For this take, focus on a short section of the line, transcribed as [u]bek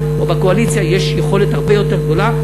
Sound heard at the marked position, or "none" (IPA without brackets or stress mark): o